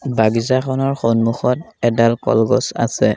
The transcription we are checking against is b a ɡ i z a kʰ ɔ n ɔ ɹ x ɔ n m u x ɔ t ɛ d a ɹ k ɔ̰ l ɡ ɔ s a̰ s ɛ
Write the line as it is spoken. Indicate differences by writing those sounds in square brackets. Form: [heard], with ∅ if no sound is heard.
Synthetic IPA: b a ɡ i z a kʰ ɔ n ɔ ɹ x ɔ n m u x ɔ t ɛ d a [l] k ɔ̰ l ɡ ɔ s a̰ s ɛ